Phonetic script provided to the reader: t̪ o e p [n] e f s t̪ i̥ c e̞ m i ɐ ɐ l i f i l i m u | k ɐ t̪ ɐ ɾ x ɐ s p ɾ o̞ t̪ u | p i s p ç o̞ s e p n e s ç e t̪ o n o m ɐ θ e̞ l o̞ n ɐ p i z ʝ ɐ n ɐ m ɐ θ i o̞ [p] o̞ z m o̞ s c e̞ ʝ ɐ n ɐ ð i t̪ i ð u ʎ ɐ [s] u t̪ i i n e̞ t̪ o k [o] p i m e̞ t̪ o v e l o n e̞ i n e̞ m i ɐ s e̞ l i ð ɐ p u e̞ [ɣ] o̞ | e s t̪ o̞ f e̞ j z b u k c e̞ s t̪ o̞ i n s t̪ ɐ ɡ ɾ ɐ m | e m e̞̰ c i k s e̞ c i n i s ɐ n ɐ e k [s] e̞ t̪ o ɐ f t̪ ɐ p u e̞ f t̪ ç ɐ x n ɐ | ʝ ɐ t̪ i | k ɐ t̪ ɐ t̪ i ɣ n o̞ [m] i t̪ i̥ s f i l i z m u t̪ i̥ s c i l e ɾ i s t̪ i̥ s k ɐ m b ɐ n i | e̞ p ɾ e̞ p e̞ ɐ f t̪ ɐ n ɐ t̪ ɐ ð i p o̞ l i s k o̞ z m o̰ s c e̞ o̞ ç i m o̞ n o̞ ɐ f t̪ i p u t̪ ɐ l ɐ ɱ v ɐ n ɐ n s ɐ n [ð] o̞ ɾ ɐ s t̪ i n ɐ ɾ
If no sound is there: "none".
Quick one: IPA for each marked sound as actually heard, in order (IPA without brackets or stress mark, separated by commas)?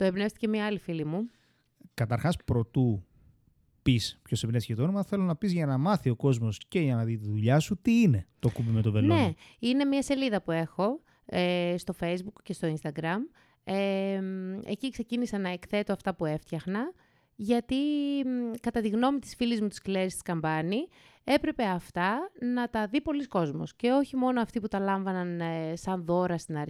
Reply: n, k, s, u, x, θ, m, ð